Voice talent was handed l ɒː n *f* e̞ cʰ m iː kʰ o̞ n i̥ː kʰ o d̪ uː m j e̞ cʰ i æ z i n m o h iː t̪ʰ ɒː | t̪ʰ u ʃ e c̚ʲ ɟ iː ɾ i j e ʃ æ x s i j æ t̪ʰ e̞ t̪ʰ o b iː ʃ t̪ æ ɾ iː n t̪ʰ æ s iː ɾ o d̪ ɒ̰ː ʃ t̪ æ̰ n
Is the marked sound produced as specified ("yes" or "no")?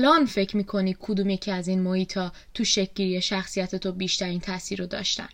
yes